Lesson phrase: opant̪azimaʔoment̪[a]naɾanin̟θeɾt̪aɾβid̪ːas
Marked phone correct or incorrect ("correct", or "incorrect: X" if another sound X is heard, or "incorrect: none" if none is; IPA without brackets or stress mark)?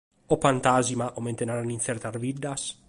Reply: incorrect: e